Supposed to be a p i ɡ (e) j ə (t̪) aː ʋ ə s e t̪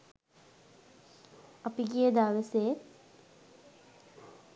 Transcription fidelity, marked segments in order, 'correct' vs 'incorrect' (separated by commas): incorrect, incorrect